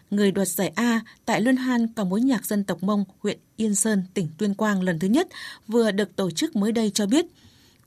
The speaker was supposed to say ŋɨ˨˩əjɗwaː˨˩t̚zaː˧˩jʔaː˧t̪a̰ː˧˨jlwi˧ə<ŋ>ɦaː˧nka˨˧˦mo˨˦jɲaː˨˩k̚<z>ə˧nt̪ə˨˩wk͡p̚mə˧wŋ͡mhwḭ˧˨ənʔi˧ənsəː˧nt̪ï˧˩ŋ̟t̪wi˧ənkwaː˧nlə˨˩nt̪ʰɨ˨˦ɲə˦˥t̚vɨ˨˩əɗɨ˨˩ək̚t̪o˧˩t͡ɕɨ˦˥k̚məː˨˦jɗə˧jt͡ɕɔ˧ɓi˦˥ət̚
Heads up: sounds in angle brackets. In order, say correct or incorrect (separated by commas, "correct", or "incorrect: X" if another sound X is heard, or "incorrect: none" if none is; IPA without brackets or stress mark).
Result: incorrect: n, correct